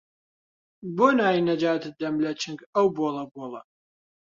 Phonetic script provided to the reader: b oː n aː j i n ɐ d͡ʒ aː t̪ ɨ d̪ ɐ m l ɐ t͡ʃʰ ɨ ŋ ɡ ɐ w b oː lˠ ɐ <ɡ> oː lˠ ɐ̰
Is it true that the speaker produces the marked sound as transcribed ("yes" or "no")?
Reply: no